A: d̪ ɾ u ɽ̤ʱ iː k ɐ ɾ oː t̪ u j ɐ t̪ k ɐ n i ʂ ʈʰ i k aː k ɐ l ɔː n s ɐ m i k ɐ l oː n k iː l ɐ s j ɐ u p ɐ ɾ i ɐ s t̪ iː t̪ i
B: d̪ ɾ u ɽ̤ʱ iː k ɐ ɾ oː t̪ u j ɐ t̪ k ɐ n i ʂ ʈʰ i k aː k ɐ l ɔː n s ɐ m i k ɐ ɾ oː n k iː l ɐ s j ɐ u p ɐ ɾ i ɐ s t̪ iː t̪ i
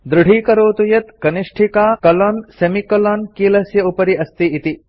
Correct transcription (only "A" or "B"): A